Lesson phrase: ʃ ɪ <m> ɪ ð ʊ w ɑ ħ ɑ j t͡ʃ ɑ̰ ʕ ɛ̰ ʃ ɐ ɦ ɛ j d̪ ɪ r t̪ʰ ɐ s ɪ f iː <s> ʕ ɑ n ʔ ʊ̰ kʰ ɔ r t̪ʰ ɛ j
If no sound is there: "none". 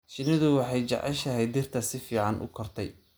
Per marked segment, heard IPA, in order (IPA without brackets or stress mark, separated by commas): n, none